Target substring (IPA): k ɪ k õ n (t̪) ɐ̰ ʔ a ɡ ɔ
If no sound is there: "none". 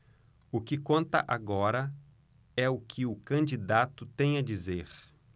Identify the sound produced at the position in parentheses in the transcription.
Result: t̪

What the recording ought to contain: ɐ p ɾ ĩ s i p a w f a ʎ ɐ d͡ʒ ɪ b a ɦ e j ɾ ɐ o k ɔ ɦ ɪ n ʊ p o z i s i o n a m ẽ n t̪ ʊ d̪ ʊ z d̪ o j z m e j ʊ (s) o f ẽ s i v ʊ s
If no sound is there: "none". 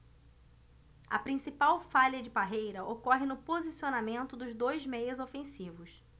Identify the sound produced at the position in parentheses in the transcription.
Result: z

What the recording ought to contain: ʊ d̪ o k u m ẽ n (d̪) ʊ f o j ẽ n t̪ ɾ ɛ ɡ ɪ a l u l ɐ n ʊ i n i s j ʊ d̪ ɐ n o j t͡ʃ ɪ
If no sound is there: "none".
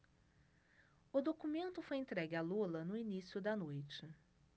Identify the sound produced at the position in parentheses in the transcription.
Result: t̪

